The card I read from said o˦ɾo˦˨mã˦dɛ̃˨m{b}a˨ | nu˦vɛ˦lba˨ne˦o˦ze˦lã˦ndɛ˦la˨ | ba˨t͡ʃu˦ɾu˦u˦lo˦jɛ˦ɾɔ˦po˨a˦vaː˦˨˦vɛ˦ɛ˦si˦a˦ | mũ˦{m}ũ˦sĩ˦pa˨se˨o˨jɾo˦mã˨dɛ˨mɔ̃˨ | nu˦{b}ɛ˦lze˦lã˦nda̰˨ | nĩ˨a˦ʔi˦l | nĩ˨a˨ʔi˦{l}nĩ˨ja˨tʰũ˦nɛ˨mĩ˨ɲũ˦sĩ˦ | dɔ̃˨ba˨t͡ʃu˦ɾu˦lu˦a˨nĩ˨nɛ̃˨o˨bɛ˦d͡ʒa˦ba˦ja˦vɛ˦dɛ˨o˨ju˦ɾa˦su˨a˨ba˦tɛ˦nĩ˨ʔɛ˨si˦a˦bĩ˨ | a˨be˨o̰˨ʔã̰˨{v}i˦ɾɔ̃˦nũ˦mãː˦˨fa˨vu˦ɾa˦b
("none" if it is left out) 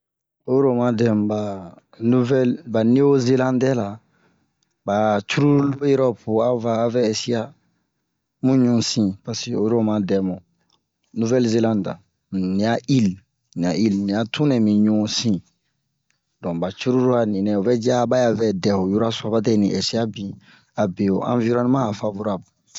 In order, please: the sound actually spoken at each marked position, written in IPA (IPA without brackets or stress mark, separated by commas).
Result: b, ɲ, v, l, v